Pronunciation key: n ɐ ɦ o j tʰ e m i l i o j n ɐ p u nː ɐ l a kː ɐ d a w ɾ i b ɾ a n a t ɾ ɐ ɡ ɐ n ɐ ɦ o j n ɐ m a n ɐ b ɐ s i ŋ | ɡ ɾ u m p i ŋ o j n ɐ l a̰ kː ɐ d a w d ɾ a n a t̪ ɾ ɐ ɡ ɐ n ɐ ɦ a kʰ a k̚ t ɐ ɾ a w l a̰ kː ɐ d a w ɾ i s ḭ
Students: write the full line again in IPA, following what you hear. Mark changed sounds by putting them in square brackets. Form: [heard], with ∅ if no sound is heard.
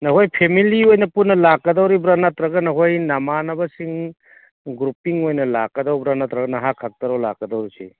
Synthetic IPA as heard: n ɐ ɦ o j [pʰ] e m i l i o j n ɐ p u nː ɐ l a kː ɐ d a w ɾ i b ɾ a n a t ɾ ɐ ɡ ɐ n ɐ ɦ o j n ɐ m a n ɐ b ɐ s i ŋ | ɡ ɾ u [∅] p i ŋ o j n ɐ l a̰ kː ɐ d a w [b] ɾ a n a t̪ ɾ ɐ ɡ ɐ n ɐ ɦ a kʰ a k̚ t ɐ ɾ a w l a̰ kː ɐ d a w ɾ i s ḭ